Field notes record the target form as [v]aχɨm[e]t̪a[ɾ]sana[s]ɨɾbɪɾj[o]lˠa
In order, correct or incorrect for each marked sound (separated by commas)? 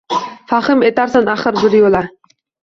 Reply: incorrect, correct, correct, incorrect, correct